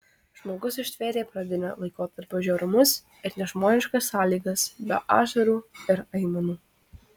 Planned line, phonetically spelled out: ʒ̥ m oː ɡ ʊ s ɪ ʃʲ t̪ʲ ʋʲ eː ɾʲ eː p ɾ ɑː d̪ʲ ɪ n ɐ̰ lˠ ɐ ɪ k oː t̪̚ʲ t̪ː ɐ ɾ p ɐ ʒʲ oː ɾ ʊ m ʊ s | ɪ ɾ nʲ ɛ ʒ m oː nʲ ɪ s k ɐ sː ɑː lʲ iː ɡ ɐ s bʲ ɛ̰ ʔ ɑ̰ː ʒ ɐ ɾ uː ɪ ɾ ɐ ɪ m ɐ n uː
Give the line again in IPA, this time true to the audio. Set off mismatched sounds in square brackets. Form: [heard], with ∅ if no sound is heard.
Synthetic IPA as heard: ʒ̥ m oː ɡ ʊ s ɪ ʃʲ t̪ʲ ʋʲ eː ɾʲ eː p ɾ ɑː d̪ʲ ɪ n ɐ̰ lˠ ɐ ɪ k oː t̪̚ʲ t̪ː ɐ ɾ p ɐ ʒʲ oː ɾ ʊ m ʊ s | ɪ ɾ nʲ ɛ ʒ m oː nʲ ɪ [ʃ] k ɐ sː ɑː lʲ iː ɡ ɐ s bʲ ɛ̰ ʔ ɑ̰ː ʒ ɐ ɾ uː ɪ ɾ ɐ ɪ m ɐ n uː